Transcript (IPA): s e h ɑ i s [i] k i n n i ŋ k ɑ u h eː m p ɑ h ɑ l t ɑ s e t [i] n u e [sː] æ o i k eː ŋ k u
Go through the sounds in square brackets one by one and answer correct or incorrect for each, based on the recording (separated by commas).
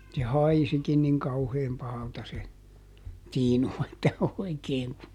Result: correct, incorrect, incorrect